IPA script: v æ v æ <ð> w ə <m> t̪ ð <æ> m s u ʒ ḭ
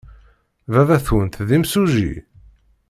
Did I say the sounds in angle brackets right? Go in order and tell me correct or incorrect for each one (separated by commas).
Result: incorrect, incorrect, incorrect